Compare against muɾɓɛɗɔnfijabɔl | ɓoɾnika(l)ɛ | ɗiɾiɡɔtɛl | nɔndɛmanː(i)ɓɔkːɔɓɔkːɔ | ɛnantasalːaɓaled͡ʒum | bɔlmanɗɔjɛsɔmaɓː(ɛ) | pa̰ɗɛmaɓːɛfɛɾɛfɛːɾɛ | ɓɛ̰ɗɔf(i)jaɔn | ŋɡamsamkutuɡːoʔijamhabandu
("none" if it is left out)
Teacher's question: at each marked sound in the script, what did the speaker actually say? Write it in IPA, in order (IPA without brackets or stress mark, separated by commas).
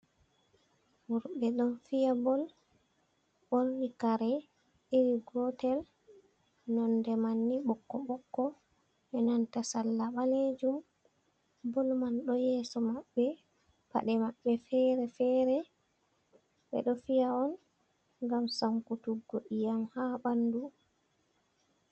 ɾ, i, ɛ, i